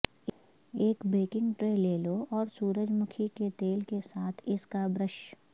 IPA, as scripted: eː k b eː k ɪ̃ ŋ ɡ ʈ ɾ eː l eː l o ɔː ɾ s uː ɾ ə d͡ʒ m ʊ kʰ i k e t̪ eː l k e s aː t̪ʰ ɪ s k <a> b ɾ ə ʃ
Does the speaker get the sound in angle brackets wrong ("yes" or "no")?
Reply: no